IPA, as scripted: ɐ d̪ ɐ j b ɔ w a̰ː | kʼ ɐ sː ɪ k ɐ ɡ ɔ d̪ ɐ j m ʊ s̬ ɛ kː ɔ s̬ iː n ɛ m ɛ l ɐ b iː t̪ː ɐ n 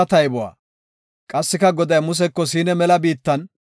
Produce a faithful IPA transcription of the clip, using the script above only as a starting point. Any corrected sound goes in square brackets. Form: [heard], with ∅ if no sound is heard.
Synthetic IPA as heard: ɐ [t̪] ɐ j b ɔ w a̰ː | kʼ ɐ sː ɪ k ɐ ɡ ɔ d̪ ɐ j m ʊ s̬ ɛ kː ɔ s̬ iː n ɛ m ɛ l ɐ b iː t̪ː ɐ n